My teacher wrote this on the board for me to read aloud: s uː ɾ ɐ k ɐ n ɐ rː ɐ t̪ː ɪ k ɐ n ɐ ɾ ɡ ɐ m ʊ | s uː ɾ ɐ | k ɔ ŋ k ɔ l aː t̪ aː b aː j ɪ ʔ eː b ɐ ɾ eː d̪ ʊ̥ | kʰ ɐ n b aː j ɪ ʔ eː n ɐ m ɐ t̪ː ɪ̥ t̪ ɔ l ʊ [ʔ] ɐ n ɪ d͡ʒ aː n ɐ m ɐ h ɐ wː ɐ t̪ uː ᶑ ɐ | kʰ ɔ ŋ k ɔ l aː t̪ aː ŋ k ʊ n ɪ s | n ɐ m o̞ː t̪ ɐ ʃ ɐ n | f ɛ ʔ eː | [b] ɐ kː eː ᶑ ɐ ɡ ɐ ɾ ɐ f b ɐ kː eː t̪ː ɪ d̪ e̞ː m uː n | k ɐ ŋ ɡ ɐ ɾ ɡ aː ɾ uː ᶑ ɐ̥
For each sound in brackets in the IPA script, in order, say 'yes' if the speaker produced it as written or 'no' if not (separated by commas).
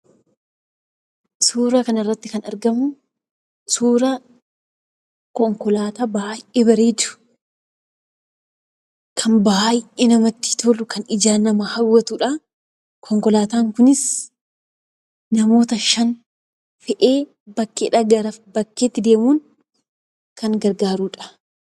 no, yes